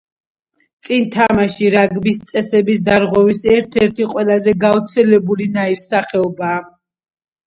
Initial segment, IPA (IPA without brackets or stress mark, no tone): t̪